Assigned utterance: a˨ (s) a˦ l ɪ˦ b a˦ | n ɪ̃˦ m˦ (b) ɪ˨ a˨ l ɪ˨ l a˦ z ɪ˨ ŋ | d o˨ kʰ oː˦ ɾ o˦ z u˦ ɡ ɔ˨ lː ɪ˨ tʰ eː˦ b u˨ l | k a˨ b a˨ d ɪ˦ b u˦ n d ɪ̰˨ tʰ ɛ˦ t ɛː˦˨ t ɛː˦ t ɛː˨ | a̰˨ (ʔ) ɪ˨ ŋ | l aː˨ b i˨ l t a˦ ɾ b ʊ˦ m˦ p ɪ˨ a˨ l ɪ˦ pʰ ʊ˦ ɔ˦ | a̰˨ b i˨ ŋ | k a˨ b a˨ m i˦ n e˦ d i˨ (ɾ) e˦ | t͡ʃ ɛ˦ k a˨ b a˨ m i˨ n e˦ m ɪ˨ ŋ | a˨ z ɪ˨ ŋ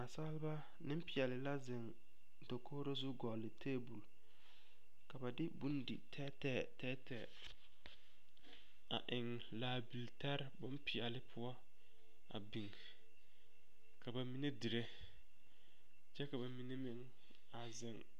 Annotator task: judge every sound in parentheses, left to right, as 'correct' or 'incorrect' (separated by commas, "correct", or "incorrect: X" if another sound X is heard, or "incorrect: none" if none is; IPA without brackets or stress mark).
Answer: correct, incorrect: p, correct, correct